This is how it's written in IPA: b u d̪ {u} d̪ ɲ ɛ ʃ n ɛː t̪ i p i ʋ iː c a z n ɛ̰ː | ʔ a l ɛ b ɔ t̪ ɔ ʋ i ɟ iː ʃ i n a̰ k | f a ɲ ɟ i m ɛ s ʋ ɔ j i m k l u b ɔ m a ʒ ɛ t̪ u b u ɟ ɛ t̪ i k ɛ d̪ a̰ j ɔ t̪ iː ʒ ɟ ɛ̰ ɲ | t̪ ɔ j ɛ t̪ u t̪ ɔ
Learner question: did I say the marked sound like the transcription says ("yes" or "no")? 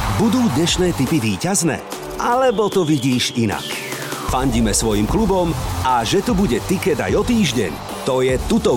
no